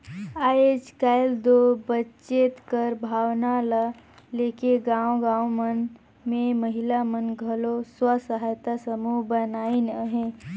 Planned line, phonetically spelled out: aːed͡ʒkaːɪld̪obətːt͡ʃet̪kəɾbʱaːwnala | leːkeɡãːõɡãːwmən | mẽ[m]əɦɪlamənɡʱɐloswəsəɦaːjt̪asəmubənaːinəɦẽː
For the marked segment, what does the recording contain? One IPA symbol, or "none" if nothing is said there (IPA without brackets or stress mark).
m